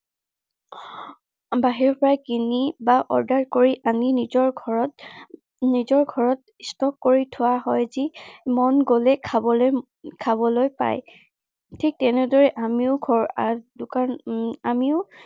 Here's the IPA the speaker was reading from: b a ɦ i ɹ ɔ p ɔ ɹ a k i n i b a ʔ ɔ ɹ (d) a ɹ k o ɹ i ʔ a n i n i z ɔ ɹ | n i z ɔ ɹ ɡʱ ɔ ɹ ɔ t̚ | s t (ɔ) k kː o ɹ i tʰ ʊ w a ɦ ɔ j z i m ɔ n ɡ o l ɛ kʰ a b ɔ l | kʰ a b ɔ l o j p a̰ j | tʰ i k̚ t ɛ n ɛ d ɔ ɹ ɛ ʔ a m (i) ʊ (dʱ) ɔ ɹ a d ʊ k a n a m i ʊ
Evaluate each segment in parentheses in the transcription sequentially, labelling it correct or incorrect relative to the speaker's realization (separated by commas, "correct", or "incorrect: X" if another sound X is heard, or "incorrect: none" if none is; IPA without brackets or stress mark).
correct, correct, correct, incorrect: ɡʱ